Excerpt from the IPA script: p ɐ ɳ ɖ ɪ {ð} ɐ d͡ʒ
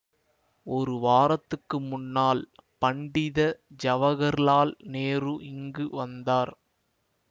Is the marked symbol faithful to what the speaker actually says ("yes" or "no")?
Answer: yes